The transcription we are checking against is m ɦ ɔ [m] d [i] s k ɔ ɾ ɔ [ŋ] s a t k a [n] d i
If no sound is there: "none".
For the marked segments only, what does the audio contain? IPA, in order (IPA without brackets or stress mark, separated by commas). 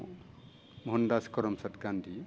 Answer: n, a, m, n